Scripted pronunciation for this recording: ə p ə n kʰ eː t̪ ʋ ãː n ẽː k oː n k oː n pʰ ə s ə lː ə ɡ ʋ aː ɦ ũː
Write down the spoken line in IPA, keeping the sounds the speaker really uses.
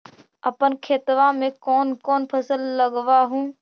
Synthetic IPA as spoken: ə p ə n kʰ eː t̪ ʋ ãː m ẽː k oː n k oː n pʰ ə s ə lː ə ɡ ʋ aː ɦ ũː